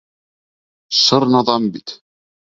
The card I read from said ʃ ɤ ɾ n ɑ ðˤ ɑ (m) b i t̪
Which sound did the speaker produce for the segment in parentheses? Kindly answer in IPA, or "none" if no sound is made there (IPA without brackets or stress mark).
m